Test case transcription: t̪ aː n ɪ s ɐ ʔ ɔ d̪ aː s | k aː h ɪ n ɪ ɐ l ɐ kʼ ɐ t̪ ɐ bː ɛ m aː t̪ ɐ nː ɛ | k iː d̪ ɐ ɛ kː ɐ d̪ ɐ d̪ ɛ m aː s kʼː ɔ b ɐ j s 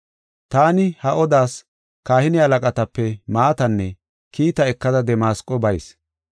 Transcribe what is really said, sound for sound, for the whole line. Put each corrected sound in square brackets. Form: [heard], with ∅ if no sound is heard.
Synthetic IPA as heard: t̪ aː n ɪ [h] ɐ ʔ ɔ d̪ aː s | k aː h ɪ n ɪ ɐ l ɐ kʼ ɐ t̪ ɐ [pː] ɛ m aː t̪ ɐ nː ɛ | k iː [t̪] ɐ ɛ kː ɐ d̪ ɐ d̪ ɛ m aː s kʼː ɔ b ɐ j s